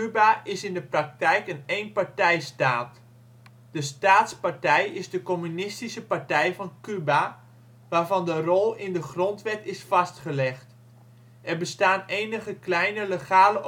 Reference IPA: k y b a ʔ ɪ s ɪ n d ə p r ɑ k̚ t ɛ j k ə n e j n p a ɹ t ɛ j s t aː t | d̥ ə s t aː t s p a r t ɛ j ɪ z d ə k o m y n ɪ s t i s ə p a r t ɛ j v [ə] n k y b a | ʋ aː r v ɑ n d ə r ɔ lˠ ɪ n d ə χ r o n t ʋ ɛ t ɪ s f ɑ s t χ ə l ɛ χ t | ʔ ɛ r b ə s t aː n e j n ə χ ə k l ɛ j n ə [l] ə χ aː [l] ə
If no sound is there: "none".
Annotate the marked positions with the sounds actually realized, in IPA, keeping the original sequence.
ɑ, l, l

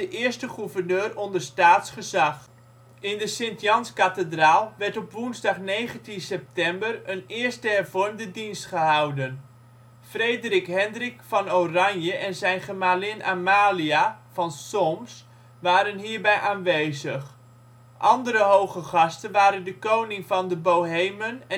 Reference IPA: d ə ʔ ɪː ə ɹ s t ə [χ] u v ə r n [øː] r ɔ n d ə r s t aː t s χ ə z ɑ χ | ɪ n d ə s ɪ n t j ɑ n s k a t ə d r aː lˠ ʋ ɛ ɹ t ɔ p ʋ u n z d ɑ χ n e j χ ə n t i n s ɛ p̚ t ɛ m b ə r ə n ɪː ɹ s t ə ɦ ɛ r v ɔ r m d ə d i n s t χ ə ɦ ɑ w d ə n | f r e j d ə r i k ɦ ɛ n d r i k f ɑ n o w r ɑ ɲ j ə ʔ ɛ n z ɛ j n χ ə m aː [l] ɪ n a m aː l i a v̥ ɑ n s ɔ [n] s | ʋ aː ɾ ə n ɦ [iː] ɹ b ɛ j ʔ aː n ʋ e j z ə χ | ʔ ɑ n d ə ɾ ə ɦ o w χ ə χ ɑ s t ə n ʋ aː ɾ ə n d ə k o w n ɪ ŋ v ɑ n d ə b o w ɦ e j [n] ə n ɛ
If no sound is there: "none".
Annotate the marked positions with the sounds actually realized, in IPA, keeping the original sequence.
χ, øː, l, m, iː, m

